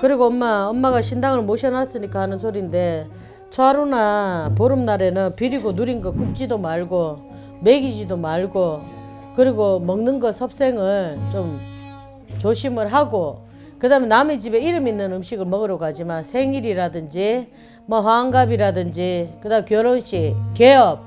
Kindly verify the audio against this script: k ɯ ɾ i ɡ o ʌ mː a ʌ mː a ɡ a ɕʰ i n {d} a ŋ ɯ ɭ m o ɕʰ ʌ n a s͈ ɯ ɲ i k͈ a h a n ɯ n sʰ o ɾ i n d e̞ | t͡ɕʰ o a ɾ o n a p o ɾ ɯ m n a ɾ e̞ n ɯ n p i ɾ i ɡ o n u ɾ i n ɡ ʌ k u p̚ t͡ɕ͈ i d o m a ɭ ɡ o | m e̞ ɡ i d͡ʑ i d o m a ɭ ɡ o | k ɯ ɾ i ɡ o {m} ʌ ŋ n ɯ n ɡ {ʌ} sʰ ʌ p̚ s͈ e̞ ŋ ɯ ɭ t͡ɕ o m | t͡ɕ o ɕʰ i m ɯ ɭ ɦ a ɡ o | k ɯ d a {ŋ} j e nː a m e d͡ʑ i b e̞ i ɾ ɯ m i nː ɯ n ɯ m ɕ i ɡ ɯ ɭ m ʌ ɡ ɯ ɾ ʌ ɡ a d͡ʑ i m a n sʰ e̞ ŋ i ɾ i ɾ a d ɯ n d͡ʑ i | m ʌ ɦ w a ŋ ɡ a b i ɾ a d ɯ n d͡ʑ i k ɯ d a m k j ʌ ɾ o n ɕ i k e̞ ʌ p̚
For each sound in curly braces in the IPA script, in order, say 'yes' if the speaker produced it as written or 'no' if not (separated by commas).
yes, yes, yes, no